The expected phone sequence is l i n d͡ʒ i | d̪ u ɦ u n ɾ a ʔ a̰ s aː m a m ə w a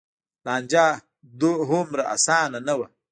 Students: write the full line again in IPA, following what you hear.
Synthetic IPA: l a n d͡ʒ a | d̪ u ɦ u m ɾ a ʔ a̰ s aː n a n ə w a